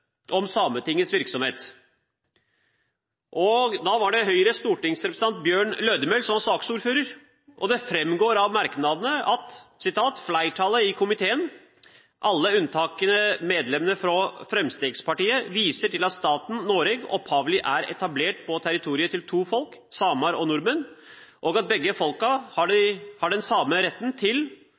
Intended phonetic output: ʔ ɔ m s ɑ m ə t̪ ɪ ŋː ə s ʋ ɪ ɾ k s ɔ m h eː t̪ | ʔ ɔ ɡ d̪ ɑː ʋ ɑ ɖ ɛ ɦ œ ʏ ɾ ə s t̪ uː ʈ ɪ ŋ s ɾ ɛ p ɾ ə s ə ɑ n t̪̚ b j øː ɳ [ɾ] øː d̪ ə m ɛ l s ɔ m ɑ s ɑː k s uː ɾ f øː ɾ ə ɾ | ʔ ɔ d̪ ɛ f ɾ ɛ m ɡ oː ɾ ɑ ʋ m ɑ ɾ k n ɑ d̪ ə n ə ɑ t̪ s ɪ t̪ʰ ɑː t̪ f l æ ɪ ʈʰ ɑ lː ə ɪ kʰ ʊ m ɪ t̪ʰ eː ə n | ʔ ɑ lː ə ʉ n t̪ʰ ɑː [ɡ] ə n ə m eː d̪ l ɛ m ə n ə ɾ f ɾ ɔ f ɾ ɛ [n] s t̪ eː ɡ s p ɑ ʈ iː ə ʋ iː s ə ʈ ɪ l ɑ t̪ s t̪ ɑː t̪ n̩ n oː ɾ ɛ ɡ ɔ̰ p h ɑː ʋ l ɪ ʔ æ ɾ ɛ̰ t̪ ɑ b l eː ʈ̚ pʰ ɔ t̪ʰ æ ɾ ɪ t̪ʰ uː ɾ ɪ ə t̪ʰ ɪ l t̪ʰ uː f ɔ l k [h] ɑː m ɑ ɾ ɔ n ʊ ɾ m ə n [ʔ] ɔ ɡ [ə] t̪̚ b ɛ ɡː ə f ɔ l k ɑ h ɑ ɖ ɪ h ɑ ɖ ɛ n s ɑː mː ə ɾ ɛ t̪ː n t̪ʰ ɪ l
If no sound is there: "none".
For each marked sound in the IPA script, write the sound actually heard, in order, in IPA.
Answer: l, k, m, s, ʔ, ɑ

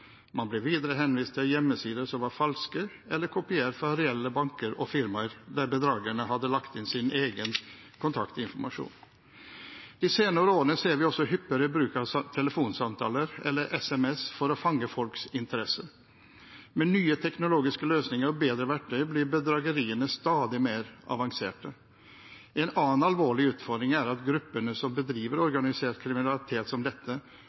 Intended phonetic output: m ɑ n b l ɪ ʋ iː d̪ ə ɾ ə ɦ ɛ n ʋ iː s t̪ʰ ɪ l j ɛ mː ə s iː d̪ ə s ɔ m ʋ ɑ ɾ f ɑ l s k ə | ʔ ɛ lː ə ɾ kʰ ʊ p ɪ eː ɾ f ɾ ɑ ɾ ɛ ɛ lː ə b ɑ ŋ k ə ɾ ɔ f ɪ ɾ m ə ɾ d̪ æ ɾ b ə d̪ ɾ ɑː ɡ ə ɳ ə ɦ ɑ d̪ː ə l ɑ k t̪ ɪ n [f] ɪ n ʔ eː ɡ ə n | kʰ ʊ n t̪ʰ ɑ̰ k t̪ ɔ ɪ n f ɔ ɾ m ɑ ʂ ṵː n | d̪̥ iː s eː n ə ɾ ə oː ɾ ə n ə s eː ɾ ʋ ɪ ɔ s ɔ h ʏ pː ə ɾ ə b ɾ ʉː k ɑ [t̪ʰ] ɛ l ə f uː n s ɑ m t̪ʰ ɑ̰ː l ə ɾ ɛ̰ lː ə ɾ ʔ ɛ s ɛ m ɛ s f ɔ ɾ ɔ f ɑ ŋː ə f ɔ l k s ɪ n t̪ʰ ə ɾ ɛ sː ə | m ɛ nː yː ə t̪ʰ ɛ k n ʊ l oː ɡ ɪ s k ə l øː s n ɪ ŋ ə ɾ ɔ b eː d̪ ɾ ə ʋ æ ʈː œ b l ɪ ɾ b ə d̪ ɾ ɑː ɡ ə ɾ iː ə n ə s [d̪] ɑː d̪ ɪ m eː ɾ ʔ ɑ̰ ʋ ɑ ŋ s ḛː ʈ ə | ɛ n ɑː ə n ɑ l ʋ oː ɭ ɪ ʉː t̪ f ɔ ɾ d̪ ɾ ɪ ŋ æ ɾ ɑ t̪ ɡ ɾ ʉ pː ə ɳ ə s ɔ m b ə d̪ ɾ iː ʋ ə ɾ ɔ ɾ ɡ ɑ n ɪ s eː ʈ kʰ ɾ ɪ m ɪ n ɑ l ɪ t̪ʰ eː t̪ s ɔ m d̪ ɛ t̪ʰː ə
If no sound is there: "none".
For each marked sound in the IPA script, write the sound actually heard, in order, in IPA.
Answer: s, t̪ʰ, t̪

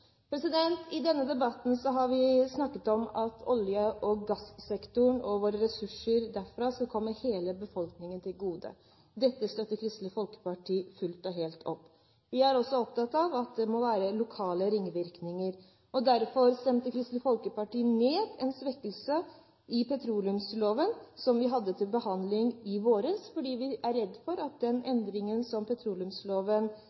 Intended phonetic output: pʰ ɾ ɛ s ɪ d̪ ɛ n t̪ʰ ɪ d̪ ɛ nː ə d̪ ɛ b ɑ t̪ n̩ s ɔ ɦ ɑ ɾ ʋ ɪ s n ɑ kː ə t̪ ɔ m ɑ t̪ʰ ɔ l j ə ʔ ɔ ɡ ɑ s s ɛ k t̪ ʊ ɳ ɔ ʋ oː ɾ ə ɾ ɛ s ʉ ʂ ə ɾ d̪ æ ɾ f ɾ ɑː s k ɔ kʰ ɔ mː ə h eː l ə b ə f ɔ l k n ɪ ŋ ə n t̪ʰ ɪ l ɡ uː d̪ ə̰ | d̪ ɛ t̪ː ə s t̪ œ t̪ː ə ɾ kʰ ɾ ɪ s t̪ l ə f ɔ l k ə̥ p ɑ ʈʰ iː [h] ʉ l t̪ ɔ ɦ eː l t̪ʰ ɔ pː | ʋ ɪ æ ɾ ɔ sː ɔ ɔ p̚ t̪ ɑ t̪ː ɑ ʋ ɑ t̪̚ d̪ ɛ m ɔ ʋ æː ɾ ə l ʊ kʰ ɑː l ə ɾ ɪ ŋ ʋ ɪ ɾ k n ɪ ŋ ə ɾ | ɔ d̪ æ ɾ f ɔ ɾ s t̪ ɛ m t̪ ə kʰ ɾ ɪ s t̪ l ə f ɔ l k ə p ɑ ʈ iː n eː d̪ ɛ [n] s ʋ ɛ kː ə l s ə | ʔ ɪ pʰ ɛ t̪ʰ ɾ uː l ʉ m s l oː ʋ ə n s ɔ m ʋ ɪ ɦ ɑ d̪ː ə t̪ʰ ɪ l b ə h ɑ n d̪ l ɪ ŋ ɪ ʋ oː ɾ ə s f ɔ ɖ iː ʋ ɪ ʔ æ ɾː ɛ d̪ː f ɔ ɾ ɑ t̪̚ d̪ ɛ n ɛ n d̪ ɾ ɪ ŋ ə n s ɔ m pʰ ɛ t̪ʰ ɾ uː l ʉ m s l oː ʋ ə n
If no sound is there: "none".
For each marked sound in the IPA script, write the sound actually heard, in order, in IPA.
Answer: f, n

